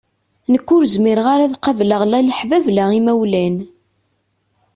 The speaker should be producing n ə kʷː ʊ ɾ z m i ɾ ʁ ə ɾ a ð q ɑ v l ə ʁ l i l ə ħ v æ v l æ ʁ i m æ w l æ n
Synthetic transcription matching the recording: n ə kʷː ʊ ɾ z m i ɾ ʁ a ɾ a ð q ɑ v l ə ʁ l æ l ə ħ v æ v l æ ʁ i m æ w l æ n